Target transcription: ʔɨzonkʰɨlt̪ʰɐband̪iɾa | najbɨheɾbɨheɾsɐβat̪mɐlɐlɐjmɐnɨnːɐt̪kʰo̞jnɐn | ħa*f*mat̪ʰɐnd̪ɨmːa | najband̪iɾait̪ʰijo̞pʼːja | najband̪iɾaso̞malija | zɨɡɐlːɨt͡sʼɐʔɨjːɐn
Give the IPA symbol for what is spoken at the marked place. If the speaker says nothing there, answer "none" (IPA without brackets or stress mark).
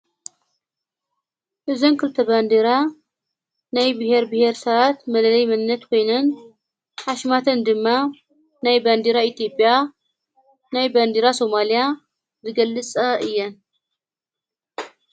ʃ